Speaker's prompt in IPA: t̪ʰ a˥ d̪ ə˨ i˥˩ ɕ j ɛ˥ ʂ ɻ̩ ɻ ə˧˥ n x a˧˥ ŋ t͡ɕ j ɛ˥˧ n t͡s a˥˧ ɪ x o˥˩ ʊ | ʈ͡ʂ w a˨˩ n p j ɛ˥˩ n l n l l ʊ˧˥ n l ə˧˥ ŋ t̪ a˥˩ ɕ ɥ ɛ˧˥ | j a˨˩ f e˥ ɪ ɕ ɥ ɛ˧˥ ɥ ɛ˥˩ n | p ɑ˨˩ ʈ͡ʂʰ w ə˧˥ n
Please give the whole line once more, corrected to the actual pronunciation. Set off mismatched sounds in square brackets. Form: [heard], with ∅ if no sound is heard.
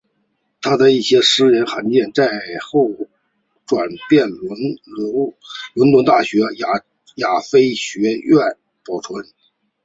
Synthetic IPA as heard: t̪ʰ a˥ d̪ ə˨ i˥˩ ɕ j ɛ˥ ʂ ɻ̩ ɻ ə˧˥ n x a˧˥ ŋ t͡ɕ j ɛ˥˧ n t͡s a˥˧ ɪ x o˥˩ ʊ | ʈ͡ʂ w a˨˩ n p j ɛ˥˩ n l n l l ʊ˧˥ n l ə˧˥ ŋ t̪ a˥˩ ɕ ɥ ɛ˧˥ | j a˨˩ f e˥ ɪ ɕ ɥ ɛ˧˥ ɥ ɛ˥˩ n | p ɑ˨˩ ʈ͡ʂʰ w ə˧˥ n

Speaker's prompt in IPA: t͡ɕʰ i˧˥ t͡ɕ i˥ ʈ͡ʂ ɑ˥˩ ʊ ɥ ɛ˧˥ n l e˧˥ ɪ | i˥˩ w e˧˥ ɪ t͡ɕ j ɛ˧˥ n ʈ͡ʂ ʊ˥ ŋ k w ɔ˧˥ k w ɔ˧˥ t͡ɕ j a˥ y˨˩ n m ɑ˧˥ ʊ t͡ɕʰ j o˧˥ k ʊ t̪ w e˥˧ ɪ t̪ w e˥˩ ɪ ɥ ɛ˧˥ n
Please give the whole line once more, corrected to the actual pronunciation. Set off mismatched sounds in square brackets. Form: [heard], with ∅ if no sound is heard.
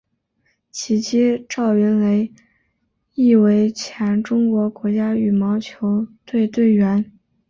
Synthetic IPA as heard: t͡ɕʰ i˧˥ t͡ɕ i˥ ʈ͡ʂ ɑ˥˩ ʊ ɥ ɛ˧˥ n l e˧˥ ɪ | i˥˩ w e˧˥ ɪ [t͡ɕʰ] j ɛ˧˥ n ʈ͡ʂ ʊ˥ ŋ k w ɔ˧˥ k w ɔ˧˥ t͡ɕ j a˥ y˨˩ [∅] m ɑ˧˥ ʊ t͡ɕʰ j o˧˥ [∅] ʊ t̪ w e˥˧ ɪ t̪ w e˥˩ ɪ ɥ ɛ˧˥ n

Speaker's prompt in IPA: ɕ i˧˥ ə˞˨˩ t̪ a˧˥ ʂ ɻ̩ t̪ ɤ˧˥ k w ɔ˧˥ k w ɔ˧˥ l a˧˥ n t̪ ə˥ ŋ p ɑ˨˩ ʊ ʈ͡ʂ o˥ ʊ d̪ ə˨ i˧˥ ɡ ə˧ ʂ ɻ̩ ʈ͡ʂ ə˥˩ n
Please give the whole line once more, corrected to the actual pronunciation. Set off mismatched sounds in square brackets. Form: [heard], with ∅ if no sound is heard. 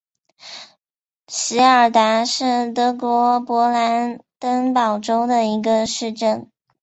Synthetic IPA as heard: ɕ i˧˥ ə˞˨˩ t̪ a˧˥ ʂ ɻ̩ t̪ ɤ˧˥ k w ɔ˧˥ [p] w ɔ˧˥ l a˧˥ n t̪ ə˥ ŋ p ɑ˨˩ ʊ ʈ͡ʂ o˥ ʊ d̪ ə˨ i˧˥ ɡ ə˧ ʂ ɻ̩ ʈ͡ʂ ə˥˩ n

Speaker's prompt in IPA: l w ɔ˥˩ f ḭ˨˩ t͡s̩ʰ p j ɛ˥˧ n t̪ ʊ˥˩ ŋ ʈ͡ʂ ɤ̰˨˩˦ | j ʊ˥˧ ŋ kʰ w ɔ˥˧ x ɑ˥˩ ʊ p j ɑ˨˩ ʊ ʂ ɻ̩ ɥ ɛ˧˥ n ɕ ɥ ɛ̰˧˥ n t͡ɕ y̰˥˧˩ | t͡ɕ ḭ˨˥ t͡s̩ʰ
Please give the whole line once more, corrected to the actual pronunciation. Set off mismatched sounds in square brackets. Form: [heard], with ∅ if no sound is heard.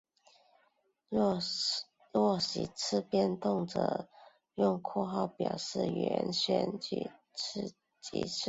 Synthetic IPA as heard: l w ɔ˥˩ [ɕ] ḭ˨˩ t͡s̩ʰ p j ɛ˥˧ n t̪ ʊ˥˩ ŋ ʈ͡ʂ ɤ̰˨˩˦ | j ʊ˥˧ ŋ kʰ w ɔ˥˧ x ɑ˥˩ ʊ p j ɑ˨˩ ʊ ʂ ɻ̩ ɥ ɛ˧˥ n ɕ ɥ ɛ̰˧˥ n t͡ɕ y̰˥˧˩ | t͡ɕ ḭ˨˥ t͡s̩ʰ

